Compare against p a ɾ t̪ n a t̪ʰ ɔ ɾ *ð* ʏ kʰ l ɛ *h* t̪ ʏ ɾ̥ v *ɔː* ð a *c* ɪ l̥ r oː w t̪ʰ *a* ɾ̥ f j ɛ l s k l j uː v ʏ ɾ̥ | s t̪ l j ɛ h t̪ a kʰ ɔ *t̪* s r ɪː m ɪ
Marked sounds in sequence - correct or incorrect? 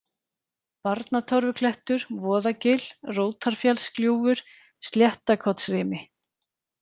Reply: incorrect: v, correct, correct, correct, correct, correct

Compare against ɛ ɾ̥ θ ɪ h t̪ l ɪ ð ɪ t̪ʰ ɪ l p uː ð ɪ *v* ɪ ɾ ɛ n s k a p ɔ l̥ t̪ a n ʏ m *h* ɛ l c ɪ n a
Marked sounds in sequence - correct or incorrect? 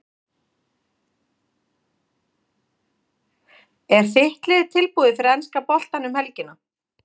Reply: incorrect: f, correct

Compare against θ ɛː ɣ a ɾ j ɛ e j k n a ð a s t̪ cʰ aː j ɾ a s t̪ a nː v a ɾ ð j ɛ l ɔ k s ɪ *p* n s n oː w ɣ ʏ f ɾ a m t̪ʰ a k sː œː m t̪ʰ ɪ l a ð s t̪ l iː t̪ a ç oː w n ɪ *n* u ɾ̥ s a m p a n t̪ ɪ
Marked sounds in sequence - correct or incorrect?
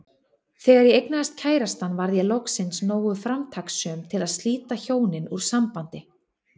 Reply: incorrect: none, correct

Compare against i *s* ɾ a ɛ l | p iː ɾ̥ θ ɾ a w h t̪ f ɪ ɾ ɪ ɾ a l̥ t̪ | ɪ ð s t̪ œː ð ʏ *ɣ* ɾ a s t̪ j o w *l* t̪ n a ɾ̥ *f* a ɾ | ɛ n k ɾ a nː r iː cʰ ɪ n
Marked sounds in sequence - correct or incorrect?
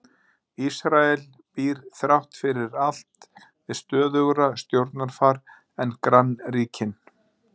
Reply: correct, correct, incorrect: ɾ, correct

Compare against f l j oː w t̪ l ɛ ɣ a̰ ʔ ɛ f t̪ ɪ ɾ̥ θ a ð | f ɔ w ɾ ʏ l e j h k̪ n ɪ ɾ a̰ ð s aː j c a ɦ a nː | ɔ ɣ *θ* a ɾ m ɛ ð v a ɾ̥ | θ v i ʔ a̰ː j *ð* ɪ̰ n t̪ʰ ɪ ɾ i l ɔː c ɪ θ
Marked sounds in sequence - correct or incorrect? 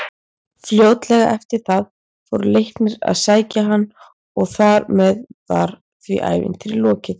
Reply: correct, incorrect: v

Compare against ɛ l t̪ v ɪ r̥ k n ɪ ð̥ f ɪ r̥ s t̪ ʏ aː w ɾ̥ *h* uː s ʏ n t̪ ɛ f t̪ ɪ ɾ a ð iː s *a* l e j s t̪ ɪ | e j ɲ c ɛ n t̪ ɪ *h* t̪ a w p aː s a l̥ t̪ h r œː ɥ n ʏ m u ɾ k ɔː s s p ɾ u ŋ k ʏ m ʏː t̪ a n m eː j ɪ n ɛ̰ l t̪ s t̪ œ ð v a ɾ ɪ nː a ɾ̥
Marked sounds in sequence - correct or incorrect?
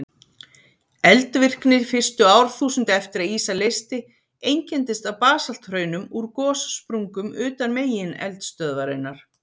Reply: incorrect: θ, correct, incorrect: s

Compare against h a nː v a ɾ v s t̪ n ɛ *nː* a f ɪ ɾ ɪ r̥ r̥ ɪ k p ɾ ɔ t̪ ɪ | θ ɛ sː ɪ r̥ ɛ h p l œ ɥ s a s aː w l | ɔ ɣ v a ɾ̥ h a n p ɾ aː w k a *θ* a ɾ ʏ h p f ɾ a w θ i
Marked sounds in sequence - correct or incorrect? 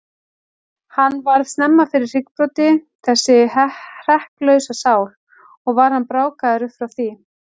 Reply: incorrect: mː, incorrect: ð

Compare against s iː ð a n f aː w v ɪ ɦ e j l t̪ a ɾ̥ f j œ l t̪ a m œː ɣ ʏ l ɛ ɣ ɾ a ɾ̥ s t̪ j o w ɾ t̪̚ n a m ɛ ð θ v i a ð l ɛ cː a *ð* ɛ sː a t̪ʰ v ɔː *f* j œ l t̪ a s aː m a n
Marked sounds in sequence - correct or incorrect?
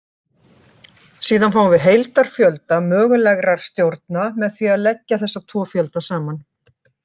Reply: incorrect: θ, correct

